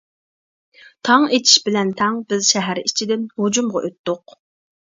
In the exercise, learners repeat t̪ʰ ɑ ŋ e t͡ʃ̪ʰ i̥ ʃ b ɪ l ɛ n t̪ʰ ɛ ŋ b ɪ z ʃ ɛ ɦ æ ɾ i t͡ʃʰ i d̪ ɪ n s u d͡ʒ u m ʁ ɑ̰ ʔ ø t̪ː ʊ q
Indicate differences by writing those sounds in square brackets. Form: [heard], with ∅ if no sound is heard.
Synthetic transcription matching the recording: t̪ʰ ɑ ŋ e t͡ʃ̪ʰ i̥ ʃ b ɪ l ɛ n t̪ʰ ɛ ŋ b ɪ z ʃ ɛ ɦ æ ɾ i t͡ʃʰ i d̪ ɪ n [h] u d͡ʒ u m ʁ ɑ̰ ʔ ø t̪ː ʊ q